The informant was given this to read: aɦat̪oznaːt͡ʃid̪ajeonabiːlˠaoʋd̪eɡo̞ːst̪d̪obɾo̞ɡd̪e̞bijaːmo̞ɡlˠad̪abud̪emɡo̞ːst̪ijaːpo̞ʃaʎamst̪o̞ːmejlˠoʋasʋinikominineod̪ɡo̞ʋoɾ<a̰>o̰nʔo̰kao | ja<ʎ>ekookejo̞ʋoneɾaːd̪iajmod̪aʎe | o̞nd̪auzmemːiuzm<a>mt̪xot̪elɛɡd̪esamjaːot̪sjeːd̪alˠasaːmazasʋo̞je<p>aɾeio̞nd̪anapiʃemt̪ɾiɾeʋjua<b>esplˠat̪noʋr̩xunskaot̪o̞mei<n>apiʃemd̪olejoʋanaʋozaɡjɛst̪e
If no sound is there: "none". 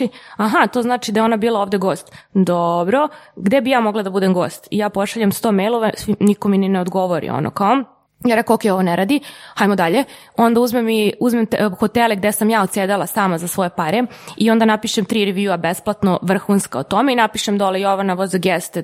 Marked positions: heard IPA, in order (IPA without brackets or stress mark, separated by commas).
ḭ, ɾ, e, p, b, n